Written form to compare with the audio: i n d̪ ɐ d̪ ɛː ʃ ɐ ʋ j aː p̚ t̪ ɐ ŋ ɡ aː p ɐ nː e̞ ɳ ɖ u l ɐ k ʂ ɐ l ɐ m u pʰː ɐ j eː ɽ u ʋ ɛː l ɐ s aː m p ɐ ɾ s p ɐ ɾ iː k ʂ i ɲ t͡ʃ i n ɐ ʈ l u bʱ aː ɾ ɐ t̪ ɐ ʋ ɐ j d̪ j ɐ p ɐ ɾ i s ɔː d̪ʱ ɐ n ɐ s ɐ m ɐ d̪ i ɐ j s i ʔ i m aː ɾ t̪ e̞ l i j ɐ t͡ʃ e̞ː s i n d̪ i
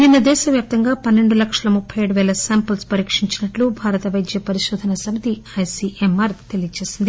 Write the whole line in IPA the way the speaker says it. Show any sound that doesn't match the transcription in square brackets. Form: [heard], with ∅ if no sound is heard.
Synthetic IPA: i n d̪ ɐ d̪ ɛː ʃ ɐ ʋ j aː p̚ t̪ ɐ ŋ ɡ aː p ɐ nː e̞ ɳ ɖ u l ɐ k ʂ ɐ l ɐ m u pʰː ɐ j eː ɽ u ʋ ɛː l ɐ s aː m p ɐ [l] s p ɐ ɾ iː k ʂ i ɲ t͡ʃ i n ɐ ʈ l u bʱ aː ɾ ɐ t̪ ɐ ʋ ɐ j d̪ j ɐ p ɐ ɾ i [ʃ] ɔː d̪ʱ ɐ n ɐ s ɐ m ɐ [t̪] i ɐ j s i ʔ [e] m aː ɾ t̪ e̞ l i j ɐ t͡ʃ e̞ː s i n d̪ i